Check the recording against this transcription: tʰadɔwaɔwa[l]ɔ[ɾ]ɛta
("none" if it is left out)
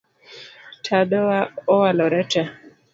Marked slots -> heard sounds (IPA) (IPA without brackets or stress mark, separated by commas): l, ɾ